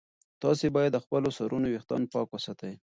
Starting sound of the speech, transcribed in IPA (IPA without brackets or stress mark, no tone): t̪